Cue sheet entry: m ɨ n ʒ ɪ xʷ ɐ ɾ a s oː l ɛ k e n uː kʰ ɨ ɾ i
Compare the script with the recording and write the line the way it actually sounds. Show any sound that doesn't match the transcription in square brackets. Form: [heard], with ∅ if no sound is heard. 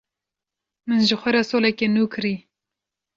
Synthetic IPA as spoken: m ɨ n ʒ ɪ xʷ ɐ ɾ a s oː l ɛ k e n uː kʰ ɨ ɾ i